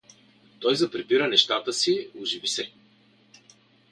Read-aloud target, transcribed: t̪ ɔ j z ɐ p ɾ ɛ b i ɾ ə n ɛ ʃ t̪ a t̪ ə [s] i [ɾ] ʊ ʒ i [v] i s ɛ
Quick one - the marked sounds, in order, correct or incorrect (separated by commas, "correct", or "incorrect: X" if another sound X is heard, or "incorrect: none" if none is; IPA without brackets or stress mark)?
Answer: correct, incorrect: none, correct